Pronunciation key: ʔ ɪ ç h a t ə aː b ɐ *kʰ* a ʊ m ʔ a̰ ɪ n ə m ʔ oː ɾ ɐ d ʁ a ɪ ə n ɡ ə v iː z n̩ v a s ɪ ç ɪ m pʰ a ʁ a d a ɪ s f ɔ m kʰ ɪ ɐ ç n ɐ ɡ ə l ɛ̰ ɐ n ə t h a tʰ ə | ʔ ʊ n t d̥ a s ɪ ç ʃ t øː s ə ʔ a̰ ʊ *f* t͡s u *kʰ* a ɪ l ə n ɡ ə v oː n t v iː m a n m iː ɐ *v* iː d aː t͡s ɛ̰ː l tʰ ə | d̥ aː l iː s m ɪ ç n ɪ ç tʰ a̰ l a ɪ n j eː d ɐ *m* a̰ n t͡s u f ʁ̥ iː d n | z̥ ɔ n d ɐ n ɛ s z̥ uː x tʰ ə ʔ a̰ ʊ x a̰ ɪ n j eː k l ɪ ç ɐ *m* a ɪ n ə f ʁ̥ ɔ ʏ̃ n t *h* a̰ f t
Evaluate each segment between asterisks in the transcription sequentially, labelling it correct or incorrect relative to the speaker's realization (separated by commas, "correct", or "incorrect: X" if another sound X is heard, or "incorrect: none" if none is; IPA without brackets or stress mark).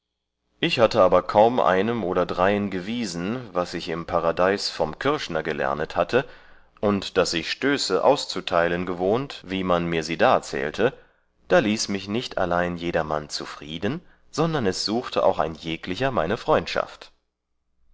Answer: correct, incorrect: s, incorrect: tʰ, incorrect: z, correct, correct, incorrect: ʃ